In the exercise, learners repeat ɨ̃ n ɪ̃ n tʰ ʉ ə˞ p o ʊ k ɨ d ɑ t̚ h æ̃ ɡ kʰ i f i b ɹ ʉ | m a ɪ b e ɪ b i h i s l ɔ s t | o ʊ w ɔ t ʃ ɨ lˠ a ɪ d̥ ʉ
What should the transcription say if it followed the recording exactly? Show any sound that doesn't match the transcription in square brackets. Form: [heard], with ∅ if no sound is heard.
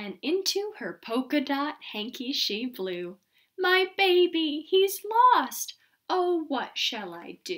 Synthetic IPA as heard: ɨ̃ n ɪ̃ n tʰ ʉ ə˞ [pʰ] o ʊ k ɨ d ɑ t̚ h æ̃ [ŋ] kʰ i [ʃ] i b [l] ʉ | m a ɪ b e ɪ b i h i [z] l ɔ s t | o ʊ w [ʌ] t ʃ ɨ lˠ a ɪ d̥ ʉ